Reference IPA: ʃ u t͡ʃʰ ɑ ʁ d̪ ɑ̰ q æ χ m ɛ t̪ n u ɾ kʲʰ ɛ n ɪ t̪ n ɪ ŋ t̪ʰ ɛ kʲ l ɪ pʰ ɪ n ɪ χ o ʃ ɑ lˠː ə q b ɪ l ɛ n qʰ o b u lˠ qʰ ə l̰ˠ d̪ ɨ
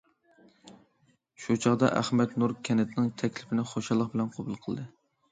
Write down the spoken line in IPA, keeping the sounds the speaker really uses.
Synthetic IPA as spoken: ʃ u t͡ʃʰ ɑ ʁ d̪ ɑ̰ ʔ æ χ m ɛ t̪ n u ɾ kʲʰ ɛ n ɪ t̪ n ɪ ŋ t̪ʰ ɛ kʲ l ɪ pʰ ɪ n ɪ χ o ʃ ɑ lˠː ə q b ɪ l ɛ n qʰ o b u lˠ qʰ ə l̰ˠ d̪ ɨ